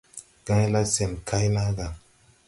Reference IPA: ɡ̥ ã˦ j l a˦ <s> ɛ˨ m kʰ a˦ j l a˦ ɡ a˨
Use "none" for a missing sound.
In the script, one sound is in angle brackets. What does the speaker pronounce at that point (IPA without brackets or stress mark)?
s